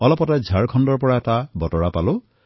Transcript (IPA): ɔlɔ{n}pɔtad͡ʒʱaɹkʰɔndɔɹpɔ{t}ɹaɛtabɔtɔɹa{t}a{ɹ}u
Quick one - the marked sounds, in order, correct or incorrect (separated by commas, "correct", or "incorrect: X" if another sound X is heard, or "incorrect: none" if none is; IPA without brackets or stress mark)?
incorrect: none, incorrect: none, incorrect: p, incorrect: l